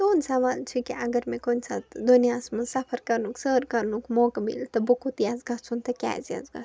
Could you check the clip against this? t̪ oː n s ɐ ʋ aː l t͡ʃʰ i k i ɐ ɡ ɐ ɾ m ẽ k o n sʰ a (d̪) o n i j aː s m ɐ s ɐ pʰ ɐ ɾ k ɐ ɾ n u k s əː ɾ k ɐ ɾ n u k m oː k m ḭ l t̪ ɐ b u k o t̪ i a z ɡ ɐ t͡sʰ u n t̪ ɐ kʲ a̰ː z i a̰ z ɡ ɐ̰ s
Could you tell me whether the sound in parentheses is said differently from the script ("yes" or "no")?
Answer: no